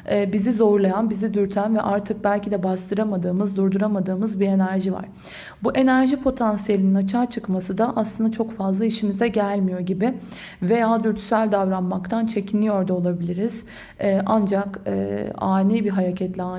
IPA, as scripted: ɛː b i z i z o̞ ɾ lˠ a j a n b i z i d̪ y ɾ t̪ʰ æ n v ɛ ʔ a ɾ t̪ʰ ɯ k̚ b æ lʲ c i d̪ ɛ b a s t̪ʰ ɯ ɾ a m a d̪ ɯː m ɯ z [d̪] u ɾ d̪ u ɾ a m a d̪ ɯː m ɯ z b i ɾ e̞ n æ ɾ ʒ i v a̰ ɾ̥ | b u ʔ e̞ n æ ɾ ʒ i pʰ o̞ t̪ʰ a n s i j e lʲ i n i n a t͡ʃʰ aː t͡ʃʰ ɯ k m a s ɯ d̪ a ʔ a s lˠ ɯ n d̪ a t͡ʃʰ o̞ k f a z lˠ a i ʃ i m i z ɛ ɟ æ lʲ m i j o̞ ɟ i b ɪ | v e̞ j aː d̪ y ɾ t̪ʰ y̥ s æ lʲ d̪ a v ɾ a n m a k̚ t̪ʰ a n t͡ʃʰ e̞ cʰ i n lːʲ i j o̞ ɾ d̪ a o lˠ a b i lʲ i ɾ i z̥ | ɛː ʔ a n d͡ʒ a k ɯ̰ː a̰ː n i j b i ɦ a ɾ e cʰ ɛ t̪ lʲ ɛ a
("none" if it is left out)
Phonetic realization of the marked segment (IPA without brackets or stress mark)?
d̪